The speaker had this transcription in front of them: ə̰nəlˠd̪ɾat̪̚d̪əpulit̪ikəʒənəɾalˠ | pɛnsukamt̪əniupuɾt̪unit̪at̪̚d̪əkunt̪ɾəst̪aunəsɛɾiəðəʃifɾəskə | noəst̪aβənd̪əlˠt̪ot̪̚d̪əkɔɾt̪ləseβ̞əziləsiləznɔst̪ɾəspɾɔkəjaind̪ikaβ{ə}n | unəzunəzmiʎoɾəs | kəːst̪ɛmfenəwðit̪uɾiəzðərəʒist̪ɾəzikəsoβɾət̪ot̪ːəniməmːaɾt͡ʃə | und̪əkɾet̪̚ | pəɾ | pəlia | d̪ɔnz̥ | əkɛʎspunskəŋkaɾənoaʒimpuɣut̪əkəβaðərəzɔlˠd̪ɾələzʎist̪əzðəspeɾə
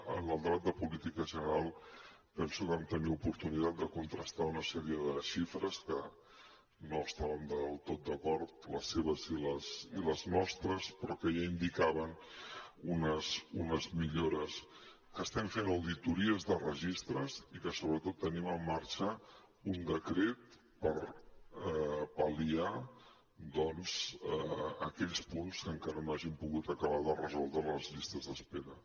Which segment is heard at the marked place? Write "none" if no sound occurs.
ə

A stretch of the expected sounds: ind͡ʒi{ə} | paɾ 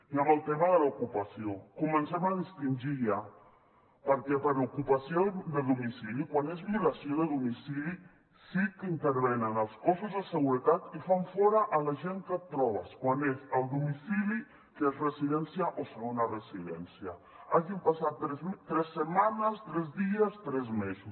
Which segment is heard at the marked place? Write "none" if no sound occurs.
a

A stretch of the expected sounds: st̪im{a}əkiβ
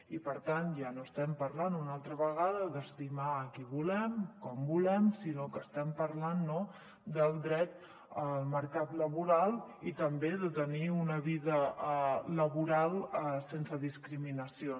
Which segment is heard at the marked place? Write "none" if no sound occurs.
a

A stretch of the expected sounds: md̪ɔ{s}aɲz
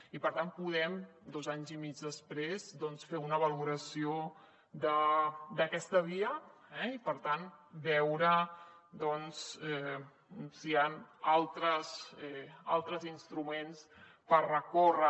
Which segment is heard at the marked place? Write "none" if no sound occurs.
z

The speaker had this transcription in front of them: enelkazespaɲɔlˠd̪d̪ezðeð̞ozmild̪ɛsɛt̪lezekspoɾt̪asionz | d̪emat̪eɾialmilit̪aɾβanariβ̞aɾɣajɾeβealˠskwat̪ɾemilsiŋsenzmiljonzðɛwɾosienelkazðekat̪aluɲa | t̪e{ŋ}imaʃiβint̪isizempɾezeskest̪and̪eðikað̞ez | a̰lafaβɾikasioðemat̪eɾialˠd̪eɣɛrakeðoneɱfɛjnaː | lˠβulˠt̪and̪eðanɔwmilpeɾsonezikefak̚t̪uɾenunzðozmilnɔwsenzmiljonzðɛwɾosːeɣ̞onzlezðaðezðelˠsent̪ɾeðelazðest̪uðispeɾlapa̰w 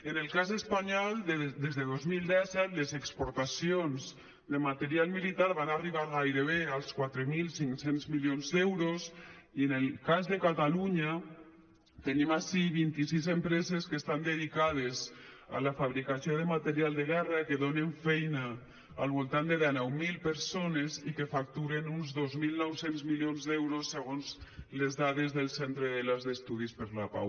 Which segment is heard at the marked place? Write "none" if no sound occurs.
n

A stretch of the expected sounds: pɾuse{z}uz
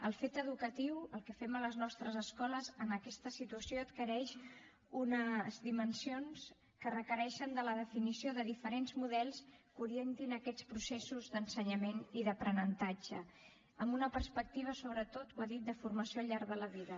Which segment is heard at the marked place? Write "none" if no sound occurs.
s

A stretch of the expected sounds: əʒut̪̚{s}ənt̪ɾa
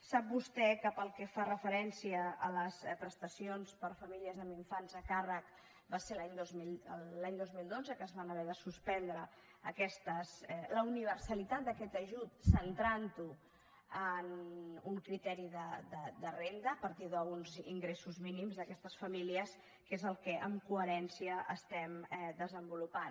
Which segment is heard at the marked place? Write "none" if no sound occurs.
s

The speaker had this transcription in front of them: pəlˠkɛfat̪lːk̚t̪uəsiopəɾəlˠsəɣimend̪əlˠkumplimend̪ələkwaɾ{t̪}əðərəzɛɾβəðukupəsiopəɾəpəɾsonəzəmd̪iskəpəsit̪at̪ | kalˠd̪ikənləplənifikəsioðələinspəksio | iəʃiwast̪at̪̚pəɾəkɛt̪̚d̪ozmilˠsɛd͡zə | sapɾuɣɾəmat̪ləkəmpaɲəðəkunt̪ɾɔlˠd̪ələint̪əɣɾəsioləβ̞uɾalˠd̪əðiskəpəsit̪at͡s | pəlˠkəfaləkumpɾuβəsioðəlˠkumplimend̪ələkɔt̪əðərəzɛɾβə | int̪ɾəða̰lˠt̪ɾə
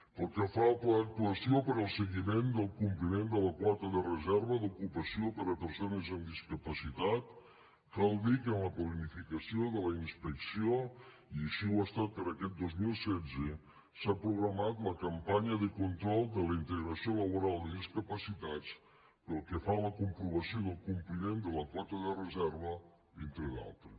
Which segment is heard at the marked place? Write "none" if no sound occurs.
t̪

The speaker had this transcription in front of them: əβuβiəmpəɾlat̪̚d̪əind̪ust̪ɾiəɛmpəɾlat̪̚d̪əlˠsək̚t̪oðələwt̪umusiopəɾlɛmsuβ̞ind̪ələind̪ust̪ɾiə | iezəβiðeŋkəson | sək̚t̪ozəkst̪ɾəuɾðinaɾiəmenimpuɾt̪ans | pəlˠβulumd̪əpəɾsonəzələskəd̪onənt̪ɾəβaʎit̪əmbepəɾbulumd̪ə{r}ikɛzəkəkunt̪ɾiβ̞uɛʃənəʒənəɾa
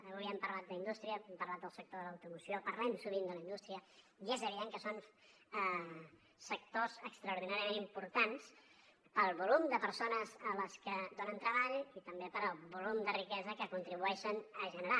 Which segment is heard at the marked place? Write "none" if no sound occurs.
r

